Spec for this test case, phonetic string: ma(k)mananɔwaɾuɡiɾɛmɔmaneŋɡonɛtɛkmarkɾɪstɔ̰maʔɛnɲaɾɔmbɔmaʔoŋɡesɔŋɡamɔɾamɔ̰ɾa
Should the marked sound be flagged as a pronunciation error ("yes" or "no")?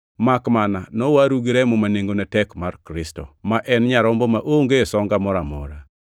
no